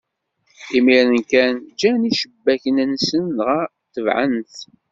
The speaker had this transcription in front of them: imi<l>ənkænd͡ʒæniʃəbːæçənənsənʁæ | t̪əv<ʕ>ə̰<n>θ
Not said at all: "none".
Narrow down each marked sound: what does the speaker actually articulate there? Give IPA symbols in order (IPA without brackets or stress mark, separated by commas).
ɾ, ʕ, n